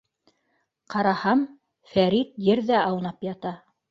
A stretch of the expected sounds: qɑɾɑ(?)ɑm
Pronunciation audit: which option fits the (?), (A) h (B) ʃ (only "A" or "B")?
A